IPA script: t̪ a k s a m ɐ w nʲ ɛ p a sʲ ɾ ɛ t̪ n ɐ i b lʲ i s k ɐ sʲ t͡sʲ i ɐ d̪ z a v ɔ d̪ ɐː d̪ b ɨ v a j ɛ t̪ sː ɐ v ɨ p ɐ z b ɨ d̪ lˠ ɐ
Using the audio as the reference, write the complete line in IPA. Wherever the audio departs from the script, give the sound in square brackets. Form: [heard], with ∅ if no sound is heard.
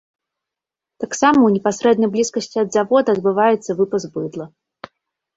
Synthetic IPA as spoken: t̪ a k s a m ɐ w nʲ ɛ p a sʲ ɾ ɛ [d̪] n ɐ [j] b lʲ i s k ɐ sʲ t͡sʲ i ɐ d̪ z a v ɔ d̪ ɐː d̪ b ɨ v a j ɛ t̪ sː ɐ v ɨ p ɐ z b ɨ d̪ lˠ ɐ